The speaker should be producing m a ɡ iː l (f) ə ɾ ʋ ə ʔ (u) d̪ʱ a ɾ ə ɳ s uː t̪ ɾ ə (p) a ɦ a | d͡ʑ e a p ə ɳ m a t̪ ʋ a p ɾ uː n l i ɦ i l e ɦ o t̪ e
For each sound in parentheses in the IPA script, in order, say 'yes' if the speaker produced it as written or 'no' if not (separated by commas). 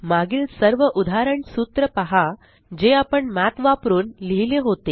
no, yes, yes